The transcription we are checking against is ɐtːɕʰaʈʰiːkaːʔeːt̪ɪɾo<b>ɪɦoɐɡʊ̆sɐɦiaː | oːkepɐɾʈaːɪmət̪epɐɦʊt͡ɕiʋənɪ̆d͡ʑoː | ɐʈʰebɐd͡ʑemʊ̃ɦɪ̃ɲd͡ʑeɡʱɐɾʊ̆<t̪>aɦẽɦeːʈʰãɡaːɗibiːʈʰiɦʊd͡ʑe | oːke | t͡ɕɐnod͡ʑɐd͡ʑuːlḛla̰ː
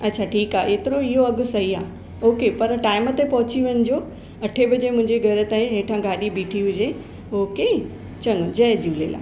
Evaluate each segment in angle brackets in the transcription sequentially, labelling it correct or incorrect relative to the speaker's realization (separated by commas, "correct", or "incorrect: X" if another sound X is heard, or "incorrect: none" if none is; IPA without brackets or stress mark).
incorrect: none, correct